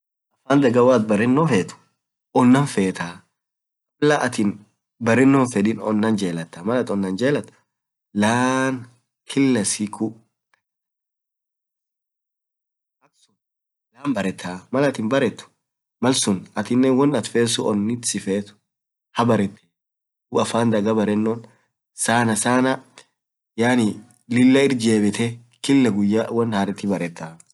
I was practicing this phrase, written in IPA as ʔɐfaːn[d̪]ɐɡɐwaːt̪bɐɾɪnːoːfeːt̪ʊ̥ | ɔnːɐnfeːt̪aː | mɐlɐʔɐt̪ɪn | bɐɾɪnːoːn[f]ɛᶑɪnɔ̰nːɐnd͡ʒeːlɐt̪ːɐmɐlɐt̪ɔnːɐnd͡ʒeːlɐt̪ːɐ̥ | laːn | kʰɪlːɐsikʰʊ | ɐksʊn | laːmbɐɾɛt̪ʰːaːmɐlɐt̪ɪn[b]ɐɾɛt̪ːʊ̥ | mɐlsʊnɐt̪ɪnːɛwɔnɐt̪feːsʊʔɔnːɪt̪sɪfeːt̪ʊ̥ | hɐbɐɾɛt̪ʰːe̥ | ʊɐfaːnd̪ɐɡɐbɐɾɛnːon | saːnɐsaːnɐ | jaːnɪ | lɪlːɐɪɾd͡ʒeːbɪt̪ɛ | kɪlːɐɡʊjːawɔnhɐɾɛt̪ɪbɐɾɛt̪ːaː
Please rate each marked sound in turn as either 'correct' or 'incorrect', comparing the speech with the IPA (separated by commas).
correct, correct, correct